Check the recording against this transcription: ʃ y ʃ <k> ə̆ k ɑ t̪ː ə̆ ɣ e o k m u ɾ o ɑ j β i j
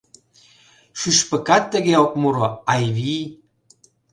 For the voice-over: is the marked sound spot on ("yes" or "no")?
no